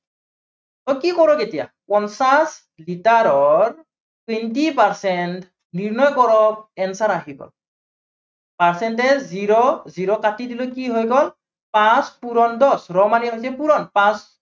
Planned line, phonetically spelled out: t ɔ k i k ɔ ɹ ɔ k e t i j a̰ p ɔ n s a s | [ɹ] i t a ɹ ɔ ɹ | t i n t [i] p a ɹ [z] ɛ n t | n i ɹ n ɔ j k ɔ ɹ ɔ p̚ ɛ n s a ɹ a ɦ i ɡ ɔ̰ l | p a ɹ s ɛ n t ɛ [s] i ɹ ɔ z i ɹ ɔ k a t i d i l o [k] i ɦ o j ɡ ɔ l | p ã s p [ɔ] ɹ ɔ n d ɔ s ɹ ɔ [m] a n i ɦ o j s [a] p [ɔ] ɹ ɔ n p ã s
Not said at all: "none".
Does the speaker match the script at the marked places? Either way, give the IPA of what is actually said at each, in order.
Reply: l, i, s, z, k, u, m, ɛ, u

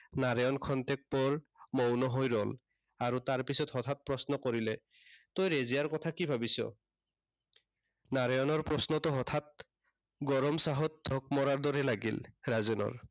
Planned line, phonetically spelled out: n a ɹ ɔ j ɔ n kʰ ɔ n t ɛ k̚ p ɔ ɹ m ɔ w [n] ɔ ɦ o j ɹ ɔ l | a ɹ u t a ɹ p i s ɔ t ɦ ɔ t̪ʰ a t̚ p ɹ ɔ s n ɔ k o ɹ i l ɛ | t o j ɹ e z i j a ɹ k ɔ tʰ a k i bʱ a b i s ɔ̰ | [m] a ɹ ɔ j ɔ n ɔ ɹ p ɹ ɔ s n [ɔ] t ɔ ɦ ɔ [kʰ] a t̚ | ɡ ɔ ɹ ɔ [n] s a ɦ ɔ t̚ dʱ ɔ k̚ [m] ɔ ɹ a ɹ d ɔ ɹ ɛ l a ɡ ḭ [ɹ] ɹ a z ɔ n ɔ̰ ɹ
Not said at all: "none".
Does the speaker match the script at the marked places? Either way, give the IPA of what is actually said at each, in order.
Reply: n, n, ɔ, tʰ, m, m, l

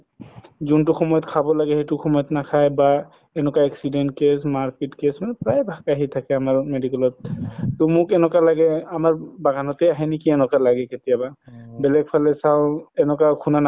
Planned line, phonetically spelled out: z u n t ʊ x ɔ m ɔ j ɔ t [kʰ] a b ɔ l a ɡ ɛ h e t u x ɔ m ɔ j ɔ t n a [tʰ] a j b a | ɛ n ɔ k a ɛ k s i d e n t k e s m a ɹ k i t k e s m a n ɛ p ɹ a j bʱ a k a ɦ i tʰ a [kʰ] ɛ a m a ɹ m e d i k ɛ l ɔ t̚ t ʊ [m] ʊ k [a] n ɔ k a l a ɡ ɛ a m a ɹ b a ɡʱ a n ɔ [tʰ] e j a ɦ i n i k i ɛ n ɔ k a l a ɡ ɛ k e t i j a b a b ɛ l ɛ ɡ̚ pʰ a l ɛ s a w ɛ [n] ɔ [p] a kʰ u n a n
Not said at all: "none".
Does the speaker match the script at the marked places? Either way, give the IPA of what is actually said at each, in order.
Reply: kʰ, kʰ, k, m, ɛ, t, n, k

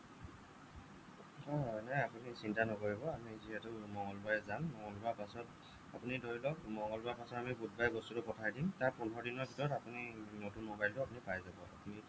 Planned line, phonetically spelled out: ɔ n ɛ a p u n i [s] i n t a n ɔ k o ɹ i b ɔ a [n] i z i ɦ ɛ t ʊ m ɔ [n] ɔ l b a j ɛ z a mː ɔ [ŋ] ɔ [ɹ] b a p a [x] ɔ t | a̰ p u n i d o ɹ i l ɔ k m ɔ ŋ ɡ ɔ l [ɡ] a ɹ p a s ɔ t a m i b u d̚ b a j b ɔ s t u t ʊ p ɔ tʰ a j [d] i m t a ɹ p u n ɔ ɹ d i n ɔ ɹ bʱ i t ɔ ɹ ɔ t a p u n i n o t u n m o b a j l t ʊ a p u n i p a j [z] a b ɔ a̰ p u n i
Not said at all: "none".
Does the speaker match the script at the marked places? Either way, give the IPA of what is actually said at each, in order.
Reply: s, m, ŋ, ŋ, l, s, b, d, z

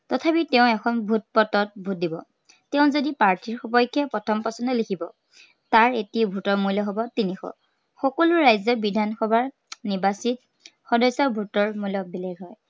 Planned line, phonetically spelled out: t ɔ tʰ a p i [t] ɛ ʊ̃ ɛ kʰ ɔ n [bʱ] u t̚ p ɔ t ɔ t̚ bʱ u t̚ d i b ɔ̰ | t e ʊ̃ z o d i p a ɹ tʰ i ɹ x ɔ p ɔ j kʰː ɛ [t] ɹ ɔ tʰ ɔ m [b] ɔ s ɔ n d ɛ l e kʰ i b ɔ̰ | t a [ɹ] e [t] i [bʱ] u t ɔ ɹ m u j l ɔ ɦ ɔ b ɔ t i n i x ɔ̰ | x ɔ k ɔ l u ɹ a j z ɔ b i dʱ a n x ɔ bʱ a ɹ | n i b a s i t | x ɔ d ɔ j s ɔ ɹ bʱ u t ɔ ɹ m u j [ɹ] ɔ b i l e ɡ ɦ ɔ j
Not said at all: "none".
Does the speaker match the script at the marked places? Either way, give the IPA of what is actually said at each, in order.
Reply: t, bʱ, p, p, ɹ, t, bʱ, l

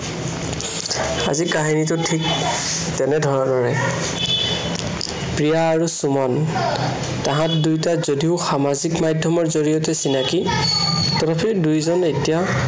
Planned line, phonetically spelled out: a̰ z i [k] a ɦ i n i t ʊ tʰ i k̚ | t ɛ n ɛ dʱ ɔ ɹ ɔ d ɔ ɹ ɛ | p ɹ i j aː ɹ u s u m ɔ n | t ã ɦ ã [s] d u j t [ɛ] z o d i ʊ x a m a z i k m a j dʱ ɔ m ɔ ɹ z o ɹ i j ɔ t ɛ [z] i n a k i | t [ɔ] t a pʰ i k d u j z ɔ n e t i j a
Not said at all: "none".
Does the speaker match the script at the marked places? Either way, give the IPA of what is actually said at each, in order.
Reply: k, t, a, s, ɔ

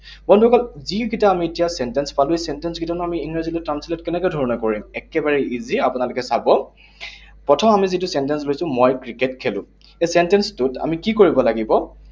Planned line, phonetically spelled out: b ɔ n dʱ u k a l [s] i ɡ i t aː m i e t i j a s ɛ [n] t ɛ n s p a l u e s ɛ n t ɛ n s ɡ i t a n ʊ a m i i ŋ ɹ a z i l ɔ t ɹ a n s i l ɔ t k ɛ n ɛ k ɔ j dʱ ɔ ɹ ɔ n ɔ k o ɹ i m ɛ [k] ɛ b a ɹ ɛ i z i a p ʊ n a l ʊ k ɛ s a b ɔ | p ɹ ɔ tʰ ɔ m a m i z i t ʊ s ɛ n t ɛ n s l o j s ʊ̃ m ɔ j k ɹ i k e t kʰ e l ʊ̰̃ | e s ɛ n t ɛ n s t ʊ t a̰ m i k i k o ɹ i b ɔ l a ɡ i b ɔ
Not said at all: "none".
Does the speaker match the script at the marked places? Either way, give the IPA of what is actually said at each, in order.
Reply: z, n, k

